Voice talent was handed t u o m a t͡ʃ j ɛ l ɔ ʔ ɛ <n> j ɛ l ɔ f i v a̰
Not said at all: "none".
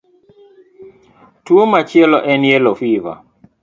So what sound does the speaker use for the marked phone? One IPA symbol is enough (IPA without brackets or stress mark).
n